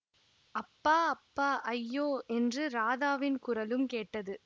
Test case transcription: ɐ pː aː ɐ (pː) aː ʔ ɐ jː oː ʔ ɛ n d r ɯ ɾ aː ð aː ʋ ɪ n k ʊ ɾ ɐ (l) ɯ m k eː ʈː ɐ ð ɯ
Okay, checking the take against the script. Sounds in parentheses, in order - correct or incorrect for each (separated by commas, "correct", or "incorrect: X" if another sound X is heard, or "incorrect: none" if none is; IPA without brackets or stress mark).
correct, correct